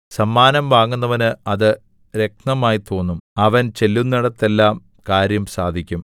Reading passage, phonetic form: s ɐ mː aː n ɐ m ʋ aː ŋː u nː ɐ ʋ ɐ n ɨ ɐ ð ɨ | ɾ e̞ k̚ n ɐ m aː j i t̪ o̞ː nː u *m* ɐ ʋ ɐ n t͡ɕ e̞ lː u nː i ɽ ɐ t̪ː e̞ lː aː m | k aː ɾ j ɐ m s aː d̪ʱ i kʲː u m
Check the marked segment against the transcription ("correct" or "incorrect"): correct